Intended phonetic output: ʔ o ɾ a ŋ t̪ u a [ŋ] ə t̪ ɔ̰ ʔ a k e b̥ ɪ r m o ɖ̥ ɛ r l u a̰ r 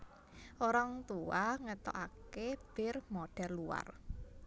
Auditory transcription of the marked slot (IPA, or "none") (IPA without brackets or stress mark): ŋ